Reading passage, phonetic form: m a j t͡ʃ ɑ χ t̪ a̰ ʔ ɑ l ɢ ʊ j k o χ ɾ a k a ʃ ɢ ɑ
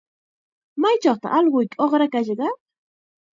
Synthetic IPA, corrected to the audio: m a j t͡ʃ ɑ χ t̪ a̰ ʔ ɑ l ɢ ʊ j k o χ ɾ a k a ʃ ɢ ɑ